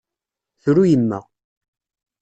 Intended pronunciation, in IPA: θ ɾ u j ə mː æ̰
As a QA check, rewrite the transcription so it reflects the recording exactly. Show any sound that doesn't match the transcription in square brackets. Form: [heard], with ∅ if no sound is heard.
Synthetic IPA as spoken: θ ɾ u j ə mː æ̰